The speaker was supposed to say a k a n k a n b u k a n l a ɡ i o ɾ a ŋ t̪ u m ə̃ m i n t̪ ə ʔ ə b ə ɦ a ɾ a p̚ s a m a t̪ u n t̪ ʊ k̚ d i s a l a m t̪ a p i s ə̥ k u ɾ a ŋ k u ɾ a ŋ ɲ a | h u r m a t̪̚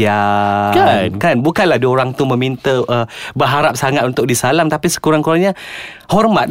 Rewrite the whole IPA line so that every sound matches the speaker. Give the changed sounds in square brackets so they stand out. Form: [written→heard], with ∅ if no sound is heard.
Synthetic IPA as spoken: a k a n k a n b u k a n l a [ɡ→d] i o ɾ a ŋ t̪ u m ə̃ m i n t̪ ə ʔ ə b ə ɦ a ɾ a p̚ s a [m→ŋ] a t̪ u n t̪ ʊ k̚ d i s a l a m t̪ a p i s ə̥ k u ɾ a ŋ k u ɾ a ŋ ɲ a | h [u→ɔ] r m a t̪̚